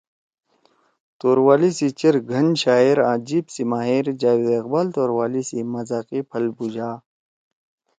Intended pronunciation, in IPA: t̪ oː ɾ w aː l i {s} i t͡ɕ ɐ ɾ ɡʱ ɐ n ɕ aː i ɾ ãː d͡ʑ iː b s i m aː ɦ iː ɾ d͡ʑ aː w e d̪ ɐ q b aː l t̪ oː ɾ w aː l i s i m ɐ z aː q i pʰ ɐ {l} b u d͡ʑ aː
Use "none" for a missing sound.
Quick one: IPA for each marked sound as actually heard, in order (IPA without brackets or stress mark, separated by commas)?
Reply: s, l